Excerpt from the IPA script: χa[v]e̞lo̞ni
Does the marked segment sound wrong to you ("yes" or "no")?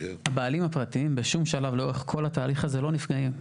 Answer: yes